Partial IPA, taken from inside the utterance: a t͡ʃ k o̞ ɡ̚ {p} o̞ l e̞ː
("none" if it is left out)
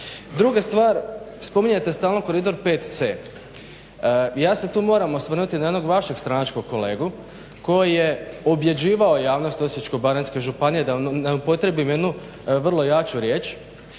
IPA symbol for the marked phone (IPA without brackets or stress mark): k